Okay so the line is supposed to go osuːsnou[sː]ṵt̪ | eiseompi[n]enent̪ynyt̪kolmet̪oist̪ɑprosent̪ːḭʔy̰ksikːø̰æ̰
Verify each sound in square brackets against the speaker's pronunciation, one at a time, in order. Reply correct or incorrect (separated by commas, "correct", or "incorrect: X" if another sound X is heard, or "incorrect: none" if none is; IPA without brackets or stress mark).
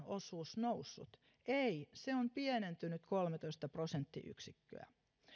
correct, incorrect: none